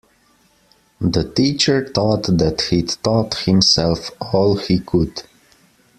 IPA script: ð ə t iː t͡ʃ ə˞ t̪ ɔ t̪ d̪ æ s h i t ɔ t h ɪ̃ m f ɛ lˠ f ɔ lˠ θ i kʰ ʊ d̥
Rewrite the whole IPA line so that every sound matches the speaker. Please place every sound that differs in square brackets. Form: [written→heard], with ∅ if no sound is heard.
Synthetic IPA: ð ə t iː t͡ʃ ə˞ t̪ ɔ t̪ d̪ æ [s→t] h i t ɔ t h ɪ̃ m [f→s] ɛ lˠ f ɔ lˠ [θ→h] i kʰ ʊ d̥